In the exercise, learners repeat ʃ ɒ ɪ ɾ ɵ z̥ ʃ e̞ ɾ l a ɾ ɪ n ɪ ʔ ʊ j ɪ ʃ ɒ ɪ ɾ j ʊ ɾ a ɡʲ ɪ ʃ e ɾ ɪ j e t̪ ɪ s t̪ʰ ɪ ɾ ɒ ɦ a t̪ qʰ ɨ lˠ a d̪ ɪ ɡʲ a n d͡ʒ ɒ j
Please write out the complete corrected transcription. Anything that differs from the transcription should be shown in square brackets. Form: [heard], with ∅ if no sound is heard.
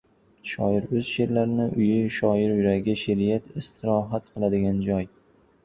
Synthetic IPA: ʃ ɒ ɪ ɾ ɵ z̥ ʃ e̞ ɾ l a ɾ ɪ n ɪ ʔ ʊ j ɪ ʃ ɒ ɪ ɾ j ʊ ɾ a ɡʲ ɪ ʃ e ɾ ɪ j [a] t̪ ɪ s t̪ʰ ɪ ɾ ɒ ɦ a t̪ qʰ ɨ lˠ a d̪ ɪ ɡʲ a n d͡ʒ ɒ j